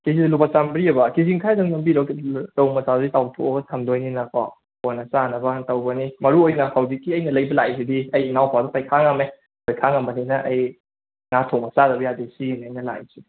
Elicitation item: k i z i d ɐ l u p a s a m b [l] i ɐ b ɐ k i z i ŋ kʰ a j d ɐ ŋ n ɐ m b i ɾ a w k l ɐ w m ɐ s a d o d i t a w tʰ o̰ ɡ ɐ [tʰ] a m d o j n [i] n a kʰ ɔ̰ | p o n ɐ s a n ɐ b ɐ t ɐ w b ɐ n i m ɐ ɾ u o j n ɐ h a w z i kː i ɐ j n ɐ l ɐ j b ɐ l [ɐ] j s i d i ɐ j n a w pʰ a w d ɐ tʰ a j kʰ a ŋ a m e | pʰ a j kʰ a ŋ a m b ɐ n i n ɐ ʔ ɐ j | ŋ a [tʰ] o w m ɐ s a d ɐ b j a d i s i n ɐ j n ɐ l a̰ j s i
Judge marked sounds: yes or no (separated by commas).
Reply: no, yes, yes, no, yes